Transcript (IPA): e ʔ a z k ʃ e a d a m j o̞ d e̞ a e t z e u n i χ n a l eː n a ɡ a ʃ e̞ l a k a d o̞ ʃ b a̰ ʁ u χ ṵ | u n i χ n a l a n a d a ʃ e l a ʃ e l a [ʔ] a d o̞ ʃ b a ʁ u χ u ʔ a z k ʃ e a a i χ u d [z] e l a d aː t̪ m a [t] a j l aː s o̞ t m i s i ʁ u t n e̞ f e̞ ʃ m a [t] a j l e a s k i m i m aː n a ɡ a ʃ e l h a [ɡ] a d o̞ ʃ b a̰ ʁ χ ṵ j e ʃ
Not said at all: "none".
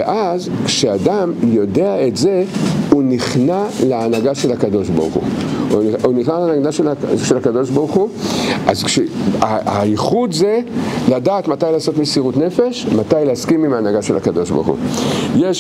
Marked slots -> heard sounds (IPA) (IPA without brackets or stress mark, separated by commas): k, z, t, t, k